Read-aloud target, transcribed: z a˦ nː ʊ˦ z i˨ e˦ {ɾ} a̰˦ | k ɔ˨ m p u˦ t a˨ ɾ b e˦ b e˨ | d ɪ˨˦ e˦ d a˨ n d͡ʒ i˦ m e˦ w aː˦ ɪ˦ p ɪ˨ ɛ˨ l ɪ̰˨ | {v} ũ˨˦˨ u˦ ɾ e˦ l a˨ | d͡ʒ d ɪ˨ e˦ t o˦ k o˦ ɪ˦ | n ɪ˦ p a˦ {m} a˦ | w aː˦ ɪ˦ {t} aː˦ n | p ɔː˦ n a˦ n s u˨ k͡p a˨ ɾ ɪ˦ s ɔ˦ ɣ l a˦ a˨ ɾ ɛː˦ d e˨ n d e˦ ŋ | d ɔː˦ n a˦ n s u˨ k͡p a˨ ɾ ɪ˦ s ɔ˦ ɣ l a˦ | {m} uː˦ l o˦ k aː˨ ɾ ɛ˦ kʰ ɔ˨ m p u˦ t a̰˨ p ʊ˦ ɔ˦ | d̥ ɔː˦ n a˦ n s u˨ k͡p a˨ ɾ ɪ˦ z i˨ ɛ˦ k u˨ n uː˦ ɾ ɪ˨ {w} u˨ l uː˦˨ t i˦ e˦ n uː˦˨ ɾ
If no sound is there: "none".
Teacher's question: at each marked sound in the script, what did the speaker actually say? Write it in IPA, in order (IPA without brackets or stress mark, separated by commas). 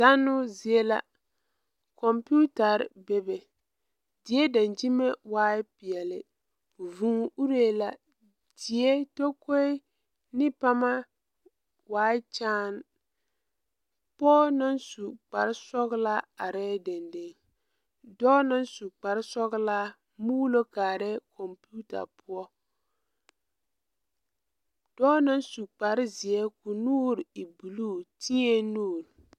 l, v, m, t͡ʃ, m, b